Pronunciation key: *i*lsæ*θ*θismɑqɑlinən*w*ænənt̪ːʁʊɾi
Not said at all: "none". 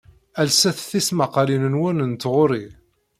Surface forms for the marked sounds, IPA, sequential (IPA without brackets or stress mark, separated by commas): æ, θ, w